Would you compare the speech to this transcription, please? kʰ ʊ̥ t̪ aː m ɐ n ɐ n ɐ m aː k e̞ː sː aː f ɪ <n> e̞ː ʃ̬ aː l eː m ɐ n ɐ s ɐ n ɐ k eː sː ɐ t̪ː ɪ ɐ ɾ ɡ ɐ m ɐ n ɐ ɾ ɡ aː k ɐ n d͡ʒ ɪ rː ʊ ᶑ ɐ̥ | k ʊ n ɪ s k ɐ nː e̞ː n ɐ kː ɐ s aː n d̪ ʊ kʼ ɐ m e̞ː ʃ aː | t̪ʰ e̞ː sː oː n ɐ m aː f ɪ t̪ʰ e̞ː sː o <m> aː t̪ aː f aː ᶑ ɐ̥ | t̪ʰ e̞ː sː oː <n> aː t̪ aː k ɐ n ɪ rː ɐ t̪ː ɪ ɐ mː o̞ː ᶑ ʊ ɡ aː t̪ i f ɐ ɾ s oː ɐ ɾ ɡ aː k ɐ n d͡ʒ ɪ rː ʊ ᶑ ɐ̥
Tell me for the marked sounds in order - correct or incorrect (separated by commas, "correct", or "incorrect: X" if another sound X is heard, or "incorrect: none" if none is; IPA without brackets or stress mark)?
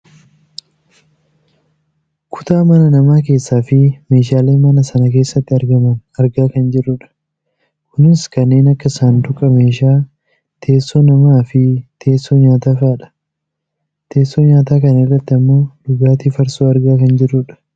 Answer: incorrect: m, incorrect: ɲ, incorrect: ɲ